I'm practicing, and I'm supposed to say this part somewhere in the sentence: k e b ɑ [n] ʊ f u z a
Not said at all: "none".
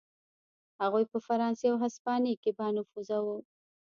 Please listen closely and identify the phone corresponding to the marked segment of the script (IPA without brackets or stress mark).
n